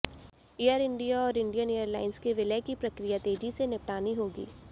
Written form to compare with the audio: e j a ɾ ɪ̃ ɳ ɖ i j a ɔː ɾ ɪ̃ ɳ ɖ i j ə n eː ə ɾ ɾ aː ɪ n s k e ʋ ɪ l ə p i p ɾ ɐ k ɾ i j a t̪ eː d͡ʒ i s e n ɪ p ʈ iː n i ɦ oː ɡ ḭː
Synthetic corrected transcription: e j ə ɾ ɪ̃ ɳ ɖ i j a ɔː ɾ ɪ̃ ɳ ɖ i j ə n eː ə ɾ l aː ɪ n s k e ʋ ɪ l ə k i p ɾ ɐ k ɾ i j a t̪ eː d͡ʒ i s e n ɪ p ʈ aː n i ɦ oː ɡ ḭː